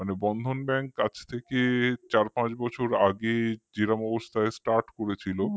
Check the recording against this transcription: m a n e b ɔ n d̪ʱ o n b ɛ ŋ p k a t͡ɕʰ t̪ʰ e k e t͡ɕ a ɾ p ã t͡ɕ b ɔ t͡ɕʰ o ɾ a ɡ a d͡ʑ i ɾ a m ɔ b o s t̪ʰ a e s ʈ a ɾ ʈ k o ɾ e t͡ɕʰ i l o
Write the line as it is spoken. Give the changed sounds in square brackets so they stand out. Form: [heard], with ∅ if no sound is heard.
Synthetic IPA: m a n e b ɔ n d̪ʱ o n b ɛ ŋ [k] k a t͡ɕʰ t̪ʰ e k e t͡ɕ a ɾ p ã t͡ɕ b ɔ t͡ɕʰ o ɾ a ɡ [e] d͡ʑ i ɾ a m ɔ b o s t̪ʰ a e s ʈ a ɾ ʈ k o ɾ e t͡ɕʰ i l o